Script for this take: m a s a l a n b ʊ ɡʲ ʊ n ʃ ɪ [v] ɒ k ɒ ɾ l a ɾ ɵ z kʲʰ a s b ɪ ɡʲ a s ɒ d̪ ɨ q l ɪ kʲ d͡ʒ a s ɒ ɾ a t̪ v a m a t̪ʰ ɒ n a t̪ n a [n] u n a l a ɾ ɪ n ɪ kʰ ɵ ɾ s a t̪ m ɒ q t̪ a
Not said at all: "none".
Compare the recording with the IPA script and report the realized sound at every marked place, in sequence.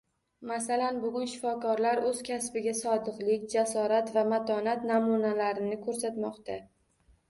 f, m

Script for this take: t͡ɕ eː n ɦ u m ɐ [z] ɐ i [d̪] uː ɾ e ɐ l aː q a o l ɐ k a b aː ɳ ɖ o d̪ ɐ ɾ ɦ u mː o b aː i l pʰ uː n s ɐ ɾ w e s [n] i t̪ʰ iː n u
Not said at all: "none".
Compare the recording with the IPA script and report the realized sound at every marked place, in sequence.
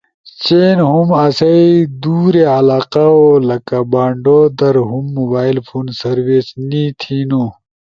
s, d̪, n

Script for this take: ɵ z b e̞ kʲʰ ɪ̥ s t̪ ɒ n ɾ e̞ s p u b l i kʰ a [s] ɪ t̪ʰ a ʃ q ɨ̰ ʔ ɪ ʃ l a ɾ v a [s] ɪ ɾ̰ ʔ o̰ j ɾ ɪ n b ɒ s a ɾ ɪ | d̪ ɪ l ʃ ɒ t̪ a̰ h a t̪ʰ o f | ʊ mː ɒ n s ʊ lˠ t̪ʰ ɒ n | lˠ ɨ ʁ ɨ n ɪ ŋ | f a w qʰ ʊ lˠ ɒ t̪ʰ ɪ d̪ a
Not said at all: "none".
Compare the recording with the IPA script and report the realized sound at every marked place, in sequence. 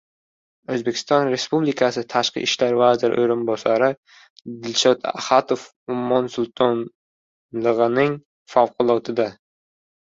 s, z

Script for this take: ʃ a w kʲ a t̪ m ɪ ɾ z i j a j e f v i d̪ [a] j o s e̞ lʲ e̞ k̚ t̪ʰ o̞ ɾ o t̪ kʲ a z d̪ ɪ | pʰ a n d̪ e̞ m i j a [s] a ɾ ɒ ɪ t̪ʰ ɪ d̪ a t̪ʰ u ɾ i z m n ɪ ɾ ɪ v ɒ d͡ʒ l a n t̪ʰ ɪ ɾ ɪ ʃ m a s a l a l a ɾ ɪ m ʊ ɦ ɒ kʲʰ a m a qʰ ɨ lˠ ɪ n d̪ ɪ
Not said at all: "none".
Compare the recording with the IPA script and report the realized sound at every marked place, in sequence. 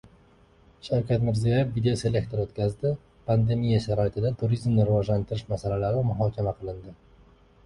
e, ʃ

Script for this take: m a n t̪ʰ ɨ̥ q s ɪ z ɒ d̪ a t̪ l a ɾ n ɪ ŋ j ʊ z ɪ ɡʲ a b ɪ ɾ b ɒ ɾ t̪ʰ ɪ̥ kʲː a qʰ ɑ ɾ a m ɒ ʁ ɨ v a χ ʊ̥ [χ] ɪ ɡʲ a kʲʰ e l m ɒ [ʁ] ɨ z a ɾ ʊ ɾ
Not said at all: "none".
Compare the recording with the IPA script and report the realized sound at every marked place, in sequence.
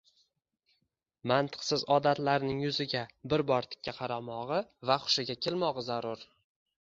ʃ, ʁ

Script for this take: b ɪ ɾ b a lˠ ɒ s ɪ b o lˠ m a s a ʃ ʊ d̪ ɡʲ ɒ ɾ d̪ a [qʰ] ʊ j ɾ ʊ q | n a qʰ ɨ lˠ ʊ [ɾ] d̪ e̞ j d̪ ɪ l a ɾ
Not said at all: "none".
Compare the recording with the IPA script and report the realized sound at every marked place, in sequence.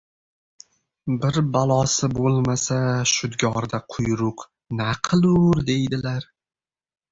qʰ, ɾ

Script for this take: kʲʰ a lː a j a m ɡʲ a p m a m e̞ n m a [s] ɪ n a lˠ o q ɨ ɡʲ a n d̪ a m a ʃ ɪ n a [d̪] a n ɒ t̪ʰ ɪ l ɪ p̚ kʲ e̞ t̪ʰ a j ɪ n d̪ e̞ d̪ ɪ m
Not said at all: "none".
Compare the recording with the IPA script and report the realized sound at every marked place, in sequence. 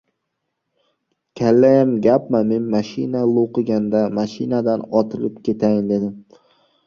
ʃ, d̪

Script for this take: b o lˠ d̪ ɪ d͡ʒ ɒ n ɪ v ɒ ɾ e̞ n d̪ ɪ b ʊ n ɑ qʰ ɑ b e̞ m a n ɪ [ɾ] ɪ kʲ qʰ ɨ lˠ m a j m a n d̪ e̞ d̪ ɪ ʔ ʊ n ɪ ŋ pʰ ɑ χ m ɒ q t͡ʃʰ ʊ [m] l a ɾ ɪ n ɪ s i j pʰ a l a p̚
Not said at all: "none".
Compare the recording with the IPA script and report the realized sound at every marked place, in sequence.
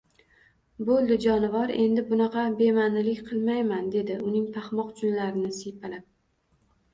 l, n

